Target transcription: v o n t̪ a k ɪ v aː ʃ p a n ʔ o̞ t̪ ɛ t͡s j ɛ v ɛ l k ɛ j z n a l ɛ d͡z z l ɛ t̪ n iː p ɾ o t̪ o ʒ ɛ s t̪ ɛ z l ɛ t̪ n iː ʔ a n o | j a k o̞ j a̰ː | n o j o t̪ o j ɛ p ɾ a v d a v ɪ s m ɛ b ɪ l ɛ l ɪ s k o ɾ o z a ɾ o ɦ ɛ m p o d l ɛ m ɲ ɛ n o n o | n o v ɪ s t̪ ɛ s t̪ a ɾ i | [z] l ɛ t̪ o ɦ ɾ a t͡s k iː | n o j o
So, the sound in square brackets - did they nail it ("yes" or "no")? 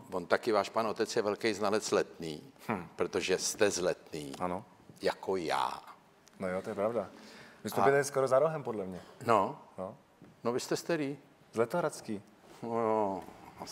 yes